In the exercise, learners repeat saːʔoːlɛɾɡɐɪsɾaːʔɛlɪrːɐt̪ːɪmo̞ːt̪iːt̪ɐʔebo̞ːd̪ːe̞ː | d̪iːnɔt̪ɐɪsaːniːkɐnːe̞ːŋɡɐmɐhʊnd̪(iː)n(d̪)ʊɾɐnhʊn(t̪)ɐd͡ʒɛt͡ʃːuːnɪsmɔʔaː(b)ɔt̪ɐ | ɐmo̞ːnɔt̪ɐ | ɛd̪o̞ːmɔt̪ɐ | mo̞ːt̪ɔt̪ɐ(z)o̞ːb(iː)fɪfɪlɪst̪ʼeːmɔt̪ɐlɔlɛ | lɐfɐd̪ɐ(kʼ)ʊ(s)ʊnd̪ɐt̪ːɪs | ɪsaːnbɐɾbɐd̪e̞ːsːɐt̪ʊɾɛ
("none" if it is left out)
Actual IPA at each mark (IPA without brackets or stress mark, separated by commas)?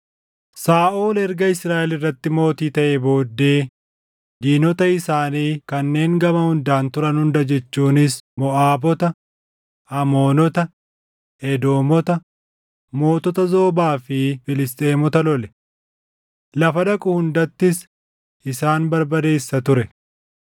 aː, t̪, d̪, b, z, aː, kʼ, h